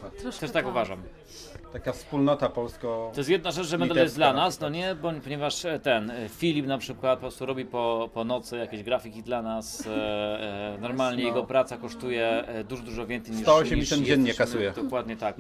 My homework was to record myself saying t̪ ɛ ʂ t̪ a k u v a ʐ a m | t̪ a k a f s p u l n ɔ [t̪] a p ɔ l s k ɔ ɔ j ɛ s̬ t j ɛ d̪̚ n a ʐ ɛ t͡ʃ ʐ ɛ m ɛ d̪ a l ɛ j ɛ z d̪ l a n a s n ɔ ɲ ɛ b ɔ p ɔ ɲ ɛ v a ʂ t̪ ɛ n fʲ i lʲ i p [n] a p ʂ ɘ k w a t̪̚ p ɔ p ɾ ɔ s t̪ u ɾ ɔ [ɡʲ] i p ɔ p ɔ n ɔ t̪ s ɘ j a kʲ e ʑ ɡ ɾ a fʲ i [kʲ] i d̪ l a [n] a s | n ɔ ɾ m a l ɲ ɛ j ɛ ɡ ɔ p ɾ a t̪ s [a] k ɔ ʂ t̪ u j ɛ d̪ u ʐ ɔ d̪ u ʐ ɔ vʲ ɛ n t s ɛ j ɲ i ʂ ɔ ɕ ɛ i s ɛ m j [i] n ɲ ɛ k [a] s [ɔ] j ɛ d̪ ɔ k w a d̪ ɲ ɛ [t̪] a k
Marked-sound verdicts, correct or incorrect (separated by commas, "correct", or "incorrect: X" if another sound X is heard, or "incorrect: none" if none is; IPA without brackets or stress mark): correct, correct, incorrect: bʲ, correct, correct, correct, incorrect: ɛ, correct, incorrect: u, correct